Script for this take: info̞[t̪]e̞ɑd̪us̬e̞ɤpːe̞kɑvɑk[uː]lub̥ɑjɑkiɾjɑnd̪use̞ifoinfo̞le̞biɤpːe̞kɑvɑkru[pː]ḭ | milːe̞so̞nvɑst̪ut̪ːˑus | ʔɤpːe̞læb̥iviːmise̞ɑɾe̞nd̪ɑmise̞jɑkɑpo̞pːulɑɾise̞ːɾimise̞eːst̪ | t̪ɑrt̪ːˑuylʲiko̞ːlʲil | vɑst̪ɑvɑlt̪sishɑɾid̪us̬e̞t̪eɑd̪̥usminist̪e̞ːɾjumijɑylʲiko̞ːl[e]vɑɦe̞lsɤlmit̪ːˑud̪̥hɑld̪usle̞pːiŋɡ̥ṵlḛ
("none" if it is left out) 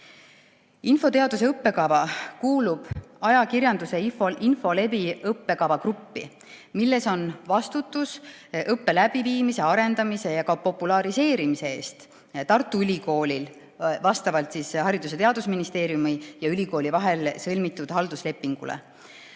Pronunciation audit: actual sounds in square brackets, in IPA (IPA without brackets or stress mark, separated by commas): t̪, uː, pː, i